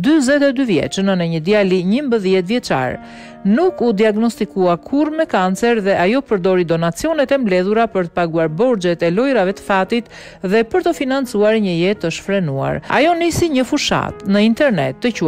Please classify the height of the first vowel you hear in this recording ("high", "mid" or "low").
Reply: high